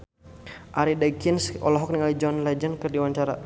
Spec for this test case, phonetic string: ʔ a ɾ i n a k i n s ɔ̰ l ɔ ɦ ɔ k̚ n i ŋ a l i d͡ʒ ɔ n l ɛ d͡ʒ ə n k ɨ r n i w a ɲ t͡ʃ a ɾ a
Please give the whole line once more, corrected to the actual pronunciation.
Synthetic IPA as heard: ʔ a ɾ i d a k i n s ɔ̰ l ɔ ɦ ɔ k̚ n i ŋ a l i d͡ʒ ɔ n l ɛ d͡ʒ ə n k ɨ r d i w a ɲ t͡ʃ a ɾ a